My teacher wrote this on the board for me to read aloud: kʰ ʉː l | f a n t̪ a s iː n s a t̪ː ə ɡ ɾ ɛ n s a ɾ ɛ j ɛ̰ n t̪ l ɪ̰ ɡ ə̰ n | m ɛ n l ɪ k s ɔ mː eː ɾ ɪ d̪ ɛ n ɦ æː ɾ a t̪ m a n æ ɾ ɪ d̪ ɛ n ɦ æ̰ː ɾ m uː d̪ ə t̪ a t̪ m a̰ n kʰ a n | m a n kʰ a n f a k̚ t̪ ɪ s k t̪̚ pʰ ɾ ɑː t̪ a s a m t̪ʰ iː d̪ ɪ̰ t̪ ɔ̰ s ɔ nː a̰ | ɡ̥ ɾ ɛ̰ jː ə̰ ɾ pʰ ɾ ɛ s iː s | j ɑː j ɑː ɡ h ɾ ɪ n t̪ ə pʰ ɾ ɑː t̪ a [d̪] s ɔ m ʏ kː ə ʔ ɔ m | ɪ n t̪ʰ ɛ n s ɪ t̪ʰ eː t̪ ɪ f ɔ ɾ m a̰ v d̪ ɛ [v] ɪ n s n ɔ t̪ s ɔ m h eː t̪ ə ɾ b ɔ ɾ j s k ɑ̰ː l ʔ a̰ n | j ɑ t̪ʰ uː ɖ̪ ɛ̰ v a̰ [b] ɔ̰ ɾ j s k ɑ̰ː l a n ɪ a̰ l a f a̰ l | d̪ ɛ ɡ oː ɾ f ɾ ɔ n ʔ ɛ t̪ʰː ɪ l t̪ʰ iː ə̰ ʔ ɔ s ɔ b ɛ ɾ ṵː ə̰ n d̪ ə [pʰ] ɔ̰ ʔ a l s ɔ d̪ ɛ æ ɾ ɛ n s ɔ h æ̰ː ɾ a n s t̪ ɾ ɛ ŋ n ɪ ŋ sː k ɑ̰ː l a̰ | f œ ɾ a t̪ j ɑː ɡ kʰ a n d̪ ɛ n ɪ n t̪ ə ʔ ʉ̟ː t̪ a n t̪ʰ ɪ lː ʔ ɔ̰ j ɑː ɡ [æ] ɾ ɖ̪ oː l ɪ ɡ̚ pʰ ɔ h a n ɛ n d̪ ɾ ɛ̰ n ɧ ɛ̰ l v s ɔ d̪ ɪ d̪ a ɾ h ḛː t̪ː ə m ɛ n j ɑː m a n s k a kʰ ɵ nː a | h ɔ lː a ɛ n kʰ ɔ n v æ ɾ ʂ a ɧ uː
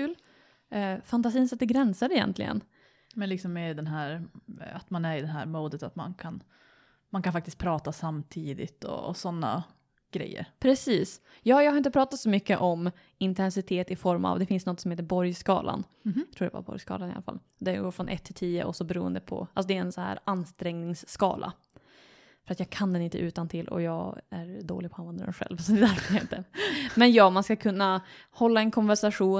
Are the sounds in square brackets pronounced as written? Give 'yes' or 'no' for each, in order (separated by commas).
no, no, yes, yes, yes